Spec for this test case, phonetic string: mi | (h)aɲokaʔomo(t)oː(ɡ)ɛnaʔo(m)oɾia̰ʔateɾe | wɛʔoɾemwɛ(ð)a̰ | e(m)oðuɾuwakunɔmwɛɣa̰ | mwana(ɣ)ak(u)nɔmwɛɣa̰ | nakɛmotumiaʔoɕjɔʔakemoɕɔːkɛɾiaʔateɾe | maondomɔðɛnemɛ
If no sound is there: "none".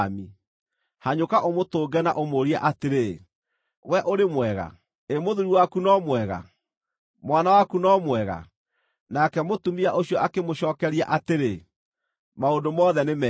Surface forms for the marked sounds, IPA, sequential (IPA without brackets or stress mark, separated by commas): h, t, ɡ, m, ɣ, m, w, u